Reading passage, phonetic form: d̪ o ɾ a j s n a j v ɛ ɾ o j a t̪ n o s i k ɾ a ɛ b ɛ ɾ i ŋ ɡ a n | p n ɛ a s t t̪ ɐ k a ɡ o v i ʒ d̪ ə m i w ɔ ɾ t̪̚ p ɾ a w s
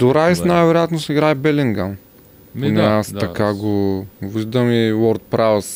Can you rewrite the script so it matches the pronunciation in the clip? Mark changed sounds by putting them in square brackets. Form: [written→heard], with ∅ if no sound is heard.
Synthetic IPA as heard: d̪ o ɾ a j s n a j v ɛ ɾ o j a t̪ n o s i [k→ɡ] ɾ a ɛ b ɛ [ɾ→l] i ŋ ɡ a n | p n ɛ a s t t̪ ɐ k a ɡ o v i ʒ d̪ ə m i w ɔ ɾ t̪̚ p ɾ a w s